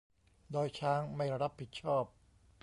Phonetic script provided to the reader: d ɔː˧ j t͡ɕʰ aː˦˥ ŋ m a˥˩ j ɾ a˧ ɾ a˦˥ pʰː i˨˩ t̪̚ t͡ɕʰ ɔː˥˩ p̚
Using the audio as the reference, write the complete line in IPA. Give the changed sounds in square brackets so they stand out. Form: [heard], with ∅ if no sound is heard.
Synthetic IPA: d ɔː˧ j t͡ɕʰ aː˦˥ ŋ m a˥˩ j ɾ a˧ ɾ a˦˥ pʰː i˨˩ t̪̚ t͡ɕʰ ɔː˥˩ p̚